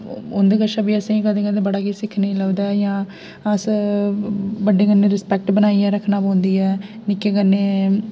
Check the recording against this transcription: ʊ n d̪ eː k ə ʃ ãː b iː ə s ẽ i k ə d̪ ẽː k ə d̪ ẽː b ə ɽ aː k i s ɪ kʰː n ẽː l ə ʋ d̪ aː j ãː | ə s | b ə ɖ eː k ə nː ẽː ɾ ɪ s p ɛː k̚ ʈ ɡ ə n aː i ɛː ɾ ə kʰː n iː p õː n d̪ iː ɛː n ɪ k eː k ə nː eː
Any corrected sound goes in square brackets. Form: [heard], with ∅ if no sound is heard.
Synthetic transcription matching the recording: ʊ n d̪ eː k ə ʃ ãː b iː ə s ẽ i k ə d̪ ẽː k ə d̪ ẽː b ə ɽ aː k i s ɪ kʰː n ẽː l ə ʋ d̪ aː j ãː | ə s | b ə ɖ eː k ə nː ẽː ɾ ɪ s p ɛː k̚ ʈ [b] ə n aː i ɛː ɾ ə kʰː n [aː] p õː n d̪ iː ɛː n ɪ k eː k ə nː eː

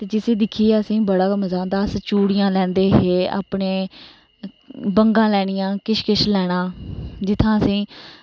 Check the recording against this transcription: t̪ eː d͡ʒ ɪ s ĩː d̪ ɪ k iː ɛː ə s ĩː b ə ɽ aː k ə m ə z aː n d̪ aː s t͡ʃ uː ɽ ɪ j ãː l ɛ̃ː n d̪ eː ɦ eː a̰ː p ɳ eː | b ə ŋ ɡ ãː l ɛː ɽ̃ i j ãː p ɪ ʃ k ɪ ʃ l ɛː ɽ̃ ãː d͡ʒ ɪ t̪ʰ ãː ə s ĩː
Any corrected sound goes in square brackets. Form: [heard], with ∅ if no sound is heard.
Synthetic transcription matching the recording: t̪ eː d͡ʒ ɪ s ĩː d̪ ɪ [kʰ] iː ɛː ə s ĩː b ə ɽ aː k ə m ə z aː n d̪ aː s t͡ʃ uː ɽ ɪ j ãː l ɛ̃ː n d̪ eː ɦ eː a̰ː p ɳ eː | b ə ŋ ɡ ãː l ɛː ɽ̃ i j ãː [k] ɪ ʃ k ɪ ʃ l ɛː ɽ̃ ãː d͡ʒ ɪ t̪ʰ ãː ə s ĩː

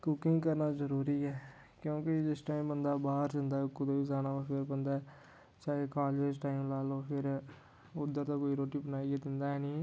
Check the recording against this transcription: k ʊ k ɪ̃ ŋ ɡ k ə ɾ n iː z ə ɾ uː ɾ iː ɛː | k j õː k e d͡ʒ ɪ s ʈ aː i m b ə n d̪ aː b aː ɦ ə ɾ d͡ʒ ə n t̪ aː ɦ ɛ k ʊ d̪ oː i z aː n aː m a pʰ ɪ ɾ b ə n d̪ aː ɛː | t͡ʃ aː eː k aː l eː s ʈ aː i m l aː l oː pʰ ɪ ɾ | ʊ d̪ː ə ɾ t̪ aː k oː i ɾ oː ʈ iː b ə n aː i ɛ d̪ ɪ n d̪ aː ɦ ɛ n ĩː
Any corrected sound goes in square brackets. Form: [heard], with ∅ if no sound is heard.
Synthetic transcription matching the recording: k ʊ k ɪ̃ ŋ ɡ k ə ɾ n [aː] z ə ɾ uː ɾ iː ɛː | k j õː k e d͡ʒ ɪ s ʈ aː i m b ə n d̪ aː b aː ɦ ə ɾ d͡ʒ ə n [d̪] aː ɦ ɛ k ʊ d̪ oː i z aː n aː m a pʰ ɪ ɾ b ə n d̪ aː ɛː | t͡ʃ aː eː k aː l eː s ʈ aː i m l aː l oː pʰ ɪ ɾ | ʊ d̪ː ə ɾ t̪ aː k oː i ɾ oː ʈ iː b ə n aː i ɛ d̪ ɪ n d̪ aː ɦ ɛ n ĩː

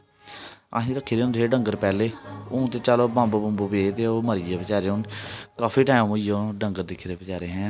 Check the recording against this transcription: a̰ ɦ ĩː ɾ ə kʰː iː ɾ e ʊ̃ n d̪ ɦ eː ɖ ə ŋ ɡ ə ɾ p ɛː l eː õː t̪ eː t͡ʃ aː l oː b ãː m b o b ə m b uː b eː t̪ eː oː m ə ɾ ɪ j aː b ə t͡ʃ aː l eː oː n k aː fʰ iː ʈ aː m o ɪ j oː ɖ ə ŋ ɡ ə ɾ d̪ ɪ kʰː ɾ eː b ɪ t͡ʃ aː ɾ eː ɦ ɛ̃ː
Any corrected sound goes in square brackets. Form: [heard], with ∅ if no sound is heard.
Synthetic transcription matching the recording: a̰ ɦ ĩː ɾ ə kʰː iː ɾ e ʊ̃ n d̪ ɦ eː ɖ ə ŋ ɡ ə ɾ p ɛː l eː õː t̪ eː t͡ʃ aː l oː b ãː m b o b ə m b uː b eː t̪ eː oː m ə ɾ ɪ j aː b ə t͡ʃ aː [ɾ] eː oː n k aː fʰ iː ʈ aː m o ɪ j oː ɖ ə ŋ ɡ ə ɾ d̪ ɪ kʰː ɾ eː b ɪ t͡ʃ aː ɾ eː ɦ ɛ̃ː

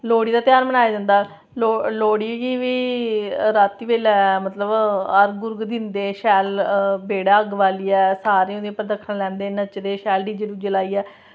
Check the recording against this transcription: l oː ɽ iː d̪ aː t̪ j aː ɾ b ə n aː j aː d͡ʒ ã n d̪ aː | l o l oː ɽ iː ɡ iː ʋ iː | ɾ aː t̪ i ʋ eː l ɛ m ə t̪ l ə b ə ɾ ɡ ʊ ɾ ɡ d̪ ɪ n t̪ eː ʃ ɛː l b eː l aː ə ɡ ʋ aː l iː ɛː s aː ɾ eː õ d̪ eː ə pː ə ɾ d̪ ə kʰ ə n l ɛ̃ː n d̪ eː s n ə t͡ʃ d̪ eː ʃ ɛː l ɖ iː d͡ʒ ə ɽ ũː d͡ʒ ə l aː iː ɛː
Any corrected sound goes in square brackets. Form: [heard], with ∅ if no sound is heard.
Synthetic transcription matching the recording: l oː ɽ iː d̪ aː t̪ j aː ɾ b ə n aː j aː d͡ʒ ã n d̪ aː | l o l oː ɽ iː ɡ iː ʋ iː | ɾ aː t̪ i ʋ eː l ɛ m ə t̪ l ə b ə ɾ ɡ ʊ ɾ ɡ d̪ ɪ n [d̪] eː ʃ ɛː l b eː [ɽ] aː ə ɡ ʋ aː l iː ɛː s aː ɾ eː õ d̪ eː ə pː ə ɾ d̪ ə kʰ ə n l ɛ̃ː n d̪ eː [∅] n ə t͡ʃ d̪ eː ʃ ɛː l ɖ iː d͡ʒ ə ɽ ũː d͡ʒ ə l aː iː ɛː

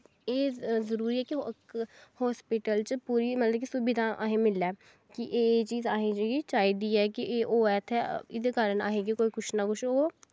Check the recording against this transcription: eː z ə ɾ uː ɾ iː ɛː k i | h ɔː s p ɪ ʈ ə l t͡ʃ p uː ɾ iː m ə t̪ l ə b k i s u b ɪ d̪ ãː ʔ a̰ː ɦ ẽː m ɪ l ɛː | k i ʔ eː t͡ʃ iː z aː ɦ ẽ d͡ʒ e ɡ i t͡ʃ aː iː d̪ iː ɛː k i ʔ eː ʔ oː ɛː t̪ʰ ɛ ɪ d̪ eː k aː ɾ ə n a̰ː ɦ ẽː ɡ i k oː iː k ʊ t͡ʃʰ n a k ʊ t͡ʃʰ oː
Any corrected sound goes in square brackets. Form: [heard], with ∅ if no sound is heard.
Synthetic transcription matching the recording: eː z ə ɾ uː ɾ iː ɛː k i | h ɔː s p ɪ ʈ ə l t͡ʃ p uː ɾ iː m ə t̪ l ə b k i s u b ɪ d̪ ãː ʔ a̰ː ɦ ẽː m ɪ l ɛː | k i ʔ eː t͡ʃ iː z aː ɦ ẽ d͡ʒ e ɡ i t͡ʃ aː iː d̪ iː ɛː k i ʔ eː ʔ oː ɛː t̪ʰ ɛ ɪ d̪ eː k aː ɾ ə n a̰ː ɦ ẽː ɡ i k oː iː k ʊ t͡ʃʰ n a k ʊ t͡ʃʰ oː

